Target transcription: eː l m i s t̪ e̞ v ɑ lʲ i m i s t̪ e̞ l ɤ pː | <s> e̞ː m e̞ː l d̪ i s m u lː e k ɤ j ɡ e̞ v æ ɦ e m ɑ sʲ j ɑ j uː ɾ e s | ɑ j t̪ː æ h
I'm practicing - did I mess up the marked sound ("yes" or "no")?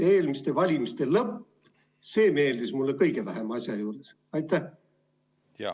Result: no